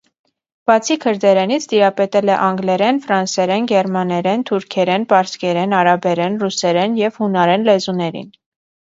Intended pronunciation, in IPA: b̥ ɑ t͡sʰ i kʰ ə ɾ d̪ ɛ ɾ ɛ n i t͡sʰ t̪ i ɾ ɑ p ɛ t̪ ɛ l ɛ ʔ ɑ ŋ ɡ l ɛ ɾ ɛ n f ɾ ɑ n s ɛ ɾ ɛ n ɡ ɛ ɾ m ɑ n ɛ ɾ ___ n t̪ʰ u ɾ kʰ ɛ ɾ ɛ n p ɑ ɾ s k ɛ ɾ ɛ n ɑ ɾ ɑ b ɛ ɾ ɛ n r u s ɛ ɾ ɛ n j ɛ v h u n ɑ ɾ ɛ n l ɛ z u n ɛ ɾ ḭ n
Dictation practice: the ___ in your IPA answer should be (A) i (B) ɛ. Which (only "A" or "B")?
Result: B